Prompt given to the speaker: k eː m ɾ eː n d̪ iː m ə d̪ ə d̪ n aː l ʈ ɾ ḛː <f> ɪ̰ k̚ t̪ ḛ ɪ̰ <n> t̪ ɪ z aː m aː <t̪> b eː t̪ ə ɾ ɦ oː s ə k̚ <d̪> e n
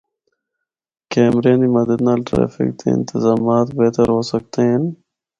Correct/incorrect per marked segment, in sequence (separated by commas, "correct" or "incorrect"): correct, correct, correct, incorrect